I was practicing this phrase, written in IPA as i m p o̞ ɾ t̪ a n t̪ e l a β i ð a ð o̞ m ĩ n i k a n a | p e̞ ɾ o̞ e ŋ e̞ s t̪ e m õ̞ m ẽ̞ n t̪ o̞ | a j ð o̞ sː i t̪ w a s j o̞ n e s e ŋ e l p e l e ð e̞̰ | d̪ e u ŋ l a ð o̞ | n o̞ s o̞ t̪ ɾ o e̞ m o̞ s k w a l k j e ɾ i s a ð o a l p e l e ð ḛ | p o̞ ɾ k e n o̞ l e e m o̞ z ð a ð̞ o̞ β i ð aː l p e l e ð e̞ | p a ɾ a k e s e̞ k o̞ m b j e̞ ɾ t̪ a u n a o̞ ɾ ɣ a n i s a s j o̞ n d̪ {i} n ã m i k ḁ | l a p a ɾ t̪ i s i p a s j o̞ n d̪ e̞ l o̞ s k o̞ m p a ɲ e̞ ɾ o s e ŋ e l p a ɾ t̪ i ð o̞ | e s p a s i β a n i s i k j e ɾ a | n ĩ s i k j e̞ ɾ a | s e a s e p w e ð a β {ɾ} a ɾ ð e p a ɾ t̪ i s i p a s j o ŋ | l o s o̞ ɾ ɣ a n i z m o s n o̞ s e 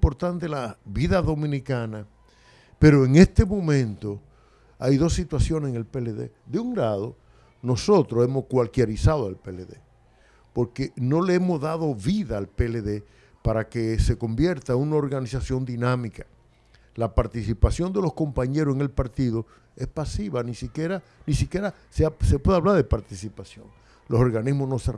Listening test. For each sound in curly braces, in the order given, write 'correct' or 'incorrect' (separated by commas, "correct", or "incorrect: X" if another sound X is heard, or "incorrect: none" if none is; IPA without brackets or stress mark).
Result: correct, incorrect: l